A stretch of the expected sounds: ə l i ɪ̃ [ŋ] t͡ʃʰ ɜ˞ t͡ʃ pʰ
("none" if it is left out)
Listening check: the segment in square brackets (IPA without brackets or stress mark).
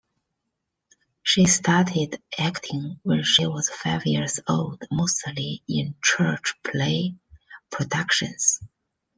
n